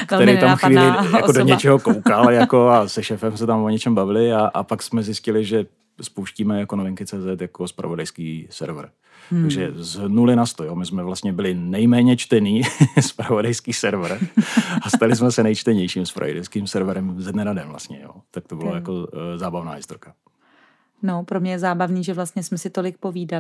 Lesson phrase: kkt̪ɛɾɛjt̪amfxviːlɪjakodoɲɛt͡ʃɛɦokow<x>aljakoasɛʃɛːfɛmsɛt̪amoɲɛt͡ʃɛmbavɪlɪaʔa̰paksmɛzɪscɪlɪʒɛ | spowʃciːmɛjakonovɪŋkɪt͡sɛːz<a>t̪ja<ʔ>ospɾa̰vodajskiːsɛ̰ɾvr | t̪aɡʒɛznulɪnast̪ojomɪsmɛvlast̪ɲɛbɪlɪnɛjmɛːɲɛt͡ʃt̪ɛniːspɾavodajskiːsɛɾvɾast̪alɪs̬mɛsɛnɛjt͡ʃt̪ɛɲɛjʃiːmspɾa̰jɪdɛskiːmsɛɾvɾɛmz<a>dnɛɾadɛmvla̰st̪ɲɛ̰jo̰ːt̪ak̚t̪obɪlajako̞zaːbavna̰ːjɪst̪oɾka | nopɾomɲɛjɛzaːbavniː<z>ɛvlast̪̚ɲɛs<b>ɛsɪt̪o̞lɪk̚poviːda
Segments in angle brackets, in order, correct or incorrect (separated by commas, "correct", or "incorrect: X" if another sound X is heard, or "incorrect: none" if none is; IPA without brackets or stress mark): incorrect: k, incorrect: ɛ, incorrect: k, incorrect: ɛ, incorrect: ʒ, incorrect: m